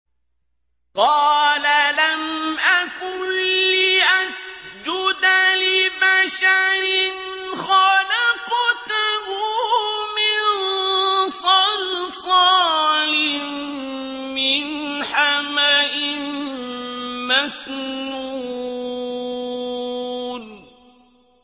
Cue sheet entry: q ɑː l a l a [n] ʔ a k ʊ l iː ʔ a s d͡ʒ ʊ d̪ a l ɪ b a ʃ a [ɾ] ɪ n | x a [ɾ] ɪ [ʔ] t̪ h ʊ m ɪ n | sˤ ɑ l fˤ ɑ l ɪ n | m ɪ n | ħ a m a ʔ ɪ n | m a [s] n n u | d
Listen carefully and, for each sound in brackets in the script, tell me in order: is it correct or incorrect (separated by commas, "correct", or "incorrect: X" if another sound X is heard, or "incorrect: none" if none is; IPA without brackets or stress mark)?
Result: incorrect: m, correct, incorrect: l, incorrect: q, correct